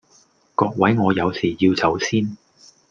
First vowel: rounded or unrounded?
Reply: rounded